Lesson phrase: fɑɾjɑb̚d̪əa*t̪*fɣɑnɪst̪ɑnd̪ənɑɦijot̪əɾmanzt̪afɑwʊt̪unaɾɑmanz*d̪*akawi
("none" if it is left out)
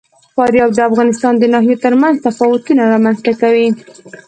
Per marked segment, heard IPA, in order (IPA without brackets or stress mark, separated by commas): none, t̪